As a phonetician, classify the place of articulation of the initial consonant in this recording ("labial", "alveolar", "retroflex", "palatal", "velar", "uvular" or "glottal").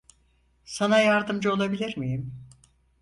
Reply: alveolar